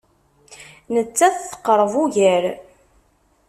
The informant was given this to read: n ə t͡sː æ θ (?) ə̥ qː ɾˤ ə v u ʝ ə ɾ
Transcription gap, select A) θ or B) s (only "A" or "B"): A